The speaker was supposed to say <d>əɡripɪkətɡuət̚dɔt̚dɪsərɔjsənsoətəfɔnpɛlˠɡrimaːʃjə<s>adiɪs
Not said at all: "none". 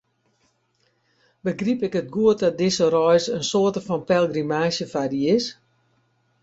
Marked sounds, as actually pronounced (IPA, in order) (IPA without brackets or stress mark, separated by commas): b, f